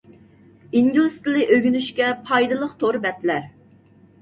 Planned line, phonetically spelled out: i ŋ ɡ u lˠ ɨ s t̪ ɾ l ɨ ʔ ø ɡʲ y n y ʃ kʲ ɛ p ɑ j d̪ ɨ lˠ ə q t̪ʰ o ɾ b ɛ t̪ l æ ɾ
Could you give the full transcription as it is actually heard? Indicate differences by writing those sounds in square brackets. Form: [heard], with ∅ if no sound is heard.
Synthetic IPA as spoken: i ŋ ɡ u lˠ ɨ s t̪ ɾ l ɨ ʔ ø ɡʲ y n y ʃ kʲ ɛ [pʰ] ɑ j d̪ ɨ lˠ ə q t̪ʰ o ɾ b ɛ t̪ l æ ɾ